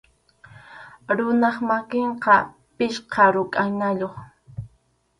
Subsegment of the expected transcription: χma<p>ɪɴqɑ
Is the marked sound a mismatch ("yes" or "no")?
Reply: yes